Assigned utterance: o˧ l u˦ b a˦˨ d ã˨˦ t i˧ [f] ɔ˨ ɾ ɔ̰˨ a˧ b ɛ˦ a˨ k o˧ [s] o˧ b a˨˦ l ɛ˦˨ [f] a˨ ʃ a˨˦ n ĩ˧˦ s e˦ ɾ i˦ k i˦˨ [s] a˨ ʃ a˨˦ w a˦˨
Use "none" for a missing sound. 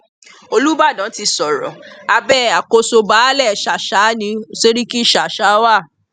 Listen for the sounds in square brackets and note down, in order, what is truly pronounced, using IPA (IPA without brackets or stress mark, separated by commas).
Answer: s, s, ʃ, ʃ